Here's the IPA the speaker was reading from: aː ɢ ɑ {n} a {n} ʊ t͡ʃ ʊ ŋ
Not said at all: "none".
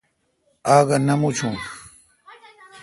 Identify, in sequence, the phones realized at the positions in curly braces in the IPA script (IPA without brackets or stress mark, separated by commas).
n, m